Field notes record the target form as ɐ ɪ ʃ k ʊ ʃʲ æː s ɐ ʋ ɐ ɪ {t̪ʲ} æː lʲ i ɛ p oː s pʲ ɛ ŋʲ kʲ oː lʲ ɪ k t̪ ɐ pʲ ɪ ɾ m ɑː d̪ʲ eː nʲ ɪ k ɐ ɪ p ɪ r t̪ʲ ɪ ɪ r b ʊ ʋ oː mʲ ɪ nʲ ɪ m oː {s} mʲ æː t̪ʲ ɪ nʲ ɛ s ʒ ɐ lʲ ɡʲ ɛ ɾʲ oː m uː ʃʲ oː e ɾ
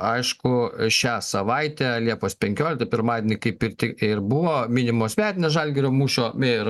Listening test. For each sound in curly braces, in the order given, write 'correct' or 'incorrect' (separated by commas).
correct, correct